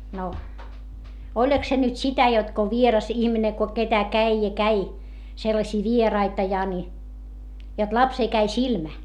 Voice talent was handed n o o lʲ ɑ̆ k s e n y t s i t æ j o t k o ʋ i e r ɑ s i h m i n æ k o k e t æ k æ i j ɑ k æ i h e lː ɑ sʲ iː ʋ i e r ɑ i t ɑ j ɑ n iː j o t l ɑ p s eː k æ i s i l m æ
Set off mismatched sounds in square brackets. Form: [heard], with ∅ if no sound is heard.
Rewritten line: n o o lʲ ɑ̆ k s e n y t s i t æ j o t k o ʋ i e r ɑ s i h m i n [e] k o k e t æ k æ i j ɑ k æ i [s] e lː ɑ sʲ iː ʋ i e r ɑ i t ɑ j ɑ n [i] j o t l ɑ p s eː k æ i s i l m æ